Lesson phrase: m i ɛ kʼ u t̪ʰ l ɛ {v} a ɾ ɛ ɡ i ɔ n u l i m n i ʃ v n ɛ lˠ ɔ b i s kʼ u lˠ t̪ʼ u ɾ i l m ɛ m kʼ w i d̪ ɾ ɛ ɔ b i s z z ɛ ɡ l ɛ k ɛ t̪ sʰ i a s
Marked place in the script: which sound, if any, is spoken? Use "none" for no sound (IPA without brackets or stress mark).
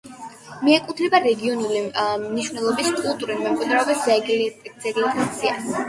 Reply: b